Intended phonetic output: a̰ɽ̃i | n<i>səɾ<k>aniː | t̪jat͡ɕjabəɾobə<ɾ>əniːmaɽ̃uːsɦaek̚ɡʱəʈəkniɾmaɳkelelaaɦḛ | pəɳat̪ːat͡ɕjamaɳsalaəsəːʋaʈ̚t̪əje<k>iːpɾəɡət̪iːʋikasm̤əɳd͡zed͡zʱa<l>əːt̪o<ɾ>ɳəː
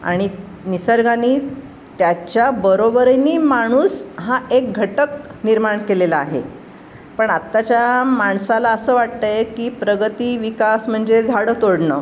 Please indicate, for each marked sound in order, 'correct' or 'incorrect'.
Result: correct, incorrect, correct, correct, incorrect, incorrect

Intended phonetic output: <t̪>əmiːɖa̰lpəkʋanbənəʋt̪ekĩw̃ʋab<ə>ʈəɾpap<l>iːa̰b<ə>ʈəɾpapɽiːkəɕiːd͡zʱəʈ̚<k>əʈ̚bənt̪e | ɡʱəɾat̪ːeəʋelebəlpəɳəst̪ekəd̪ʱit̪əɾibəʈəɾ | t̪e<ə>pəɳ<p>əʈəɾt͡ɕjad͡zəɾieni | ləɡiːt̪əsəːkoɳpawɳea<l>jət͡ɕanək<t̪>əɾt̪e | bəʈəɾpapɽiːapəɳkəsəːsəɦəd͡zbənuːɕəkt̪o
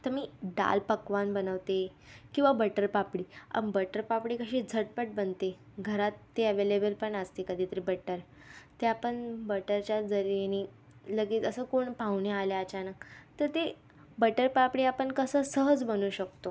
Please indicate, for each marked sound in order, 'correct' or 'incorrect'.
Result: correct, correct, incorrect, correct, incorrect, incorrect, incorrect, correct, correct

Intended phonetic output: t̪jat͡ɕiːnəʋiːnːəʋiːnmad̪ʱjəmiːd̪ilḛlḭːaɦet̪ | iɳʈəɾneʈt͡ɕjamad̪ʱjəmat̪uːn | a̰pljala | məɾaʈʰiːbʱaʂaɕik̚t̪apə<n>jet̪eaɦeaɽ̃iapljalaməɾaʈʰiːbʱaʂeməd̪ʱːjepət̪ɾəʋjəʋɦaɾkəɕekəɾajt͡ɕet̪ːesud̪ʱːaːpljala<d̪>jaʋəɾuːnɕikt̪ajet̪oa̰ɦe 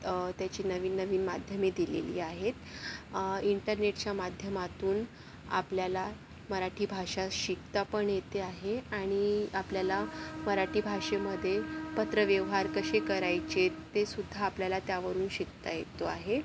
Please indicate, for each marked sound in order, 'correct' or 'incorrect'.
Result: incorrect, incorrect

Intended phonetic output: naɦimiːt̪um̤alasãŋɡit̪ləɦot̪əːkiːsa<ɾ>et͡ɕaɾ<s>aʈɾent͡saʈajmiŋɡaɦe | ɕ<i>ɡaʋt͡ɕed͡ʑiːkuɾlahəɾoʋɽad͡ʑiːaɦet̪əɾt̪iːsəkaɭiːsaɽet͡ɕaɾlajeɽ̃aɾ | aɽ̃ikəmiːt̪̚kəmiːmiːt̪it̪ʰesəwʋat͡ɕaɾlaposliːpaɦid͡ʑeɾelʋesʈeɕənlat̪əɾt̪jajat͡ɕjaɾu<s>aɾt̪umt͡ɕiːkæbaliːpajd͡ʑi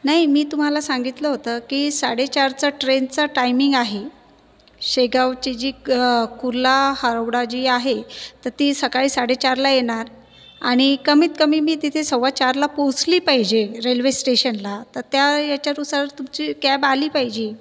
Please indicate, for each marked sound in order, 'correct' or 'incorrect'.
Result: incorrect, incorrect, incorrect, correct

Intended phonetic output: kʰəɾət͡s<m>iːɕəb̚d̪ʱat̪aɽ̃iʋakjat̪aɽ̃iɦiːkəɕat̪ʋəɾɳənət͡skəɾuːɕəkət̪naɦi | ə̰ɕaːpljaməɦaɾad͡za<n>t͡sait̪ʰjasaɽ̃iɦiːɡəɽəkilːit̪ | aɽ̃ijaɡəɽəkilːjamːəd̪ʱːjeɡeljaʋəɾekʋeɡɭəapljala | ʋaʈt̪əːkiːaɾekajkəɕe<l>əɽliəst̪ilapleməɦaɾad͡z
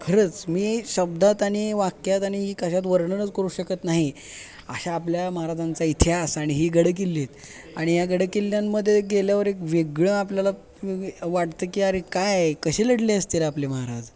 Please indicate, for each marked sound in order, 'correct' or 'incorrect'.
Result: correct, correct, correct

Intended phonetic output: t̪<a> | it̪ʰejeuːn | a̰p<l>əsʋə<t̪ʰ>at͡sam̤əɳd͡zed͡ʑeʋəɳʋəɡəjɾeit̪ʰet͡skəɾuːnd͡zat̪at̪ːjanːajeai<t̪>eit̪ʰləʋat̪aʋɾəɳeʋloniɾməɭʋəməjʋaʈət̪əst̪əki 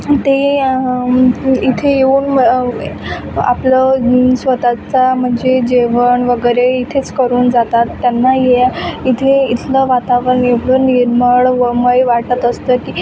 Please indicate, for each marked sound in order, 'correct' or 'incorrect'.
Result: incorrect, correct, incorrect, incorrect

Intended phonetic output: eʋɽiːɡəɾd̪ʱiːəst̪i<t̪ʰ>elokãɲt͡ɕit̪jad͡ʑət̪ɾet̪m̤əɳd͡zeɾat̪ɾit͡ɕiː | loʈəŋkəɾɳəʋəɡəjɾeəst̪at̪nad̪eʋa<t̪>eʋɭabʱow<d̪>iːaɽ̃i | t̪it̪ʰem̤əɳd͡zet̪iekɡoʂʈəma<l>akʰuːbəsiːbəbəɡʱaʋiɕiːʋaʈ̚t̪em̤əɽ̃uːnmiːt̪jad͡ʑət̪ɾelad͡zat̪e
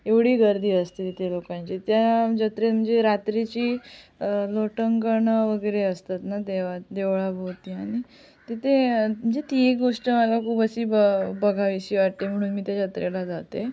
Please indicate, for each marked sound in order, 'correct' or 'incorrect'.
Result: incorrect, incorrect, incorrect, correct

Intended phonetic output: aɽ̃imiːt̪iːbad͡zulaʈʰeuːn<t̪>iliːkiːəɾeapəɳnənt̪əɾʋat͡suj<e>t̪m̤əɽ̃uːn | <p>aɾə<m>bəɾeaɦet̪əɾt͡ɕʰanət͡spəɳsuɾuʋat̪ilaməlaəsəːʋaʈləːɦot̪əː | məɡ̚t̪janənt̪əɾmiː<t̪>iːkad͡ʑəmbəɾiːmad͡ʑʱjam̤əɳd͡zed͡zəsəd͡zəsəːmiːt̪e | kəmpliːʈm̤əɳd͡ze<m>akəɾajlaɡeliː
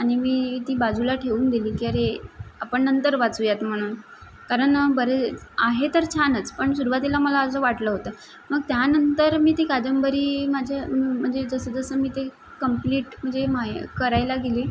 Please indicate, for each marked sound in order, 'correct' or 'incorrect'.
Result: incorrect, incorrect, incorrect, incorrect, correct, correct

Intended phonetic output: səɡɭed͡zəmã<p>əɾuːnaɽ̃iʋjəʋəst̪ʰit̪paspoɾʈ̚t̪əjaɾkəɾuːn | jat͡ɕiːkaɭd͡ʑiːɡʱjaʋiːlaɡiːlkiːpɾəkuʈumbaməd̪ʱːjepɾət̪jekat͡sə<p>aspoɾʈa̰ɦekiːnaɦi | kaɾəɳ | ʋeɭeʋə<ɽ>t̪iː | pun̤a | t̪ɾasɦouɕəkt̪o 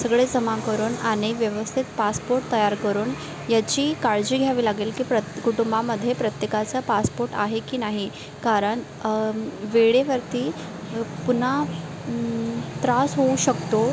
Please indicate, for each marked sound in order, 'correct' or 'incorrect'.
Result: incorrect, correct, incorrect

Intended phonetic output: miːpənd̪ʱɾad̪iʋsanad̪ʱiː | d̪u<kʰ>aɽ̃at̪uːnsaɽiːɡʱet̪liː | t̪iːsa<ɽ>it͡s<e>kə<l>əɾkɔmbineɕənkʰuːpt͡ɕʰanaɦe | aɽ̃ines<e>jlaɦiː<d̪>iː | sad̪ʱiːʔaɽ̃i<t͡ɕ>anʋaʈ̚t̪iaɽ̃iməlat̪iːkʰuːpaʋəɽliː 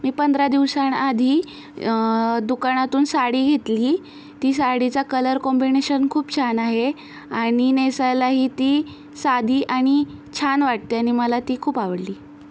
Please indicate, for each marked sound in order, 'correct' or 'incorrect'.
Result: incorrect, correct, incorrect, correct, incorrect, incorrect, incorrect

